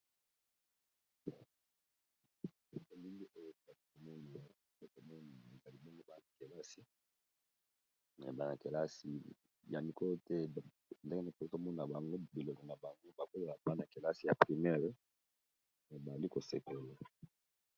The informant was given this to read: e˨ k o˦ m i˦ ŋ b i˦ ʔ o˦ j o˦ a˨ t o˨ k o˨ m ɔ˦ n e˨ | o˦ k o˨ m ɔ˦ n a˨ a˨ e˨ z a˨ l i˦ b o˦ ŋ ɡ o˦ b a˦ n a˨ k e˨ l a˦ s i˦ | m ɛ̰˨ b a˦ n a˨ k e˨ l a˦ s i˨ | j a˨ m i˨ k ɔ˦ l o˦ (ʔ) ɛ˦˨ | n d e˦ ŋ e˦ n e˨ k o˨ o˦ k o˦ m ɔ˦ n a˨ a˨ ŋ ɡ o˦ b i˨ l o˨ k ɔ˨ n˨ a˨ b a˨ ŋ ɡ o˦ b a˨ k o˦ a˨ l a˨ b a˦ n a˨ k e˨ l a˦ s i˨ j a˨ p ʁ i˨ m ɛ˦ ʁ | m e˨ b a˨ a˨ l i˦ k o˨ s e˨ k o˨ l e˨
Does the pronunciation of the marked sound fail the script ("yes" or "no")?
yes